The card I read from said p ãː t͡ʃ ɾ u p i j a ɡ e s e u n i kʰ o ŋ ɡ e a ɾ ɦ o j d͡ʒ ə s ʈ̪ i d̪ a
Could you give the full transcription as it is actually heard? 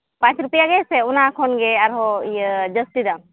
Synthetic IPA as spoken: p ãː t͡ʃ ɾ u p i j a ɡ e s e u n a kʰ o n ɡ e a ɾ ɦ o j d͡ʒ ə s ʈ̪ i d̪ a